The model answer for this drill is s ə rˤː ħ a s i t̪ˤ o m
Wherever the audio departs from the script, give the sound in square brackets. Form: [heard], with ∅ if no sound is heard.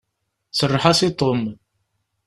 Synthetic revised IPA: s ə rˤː ħ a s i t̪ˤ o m